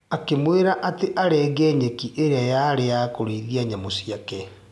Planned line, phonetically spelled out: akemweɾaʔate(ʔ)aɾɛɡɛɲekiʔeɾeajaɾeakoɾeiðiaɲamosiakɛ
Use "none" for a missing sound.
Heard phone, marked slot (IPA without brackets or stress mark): ʔ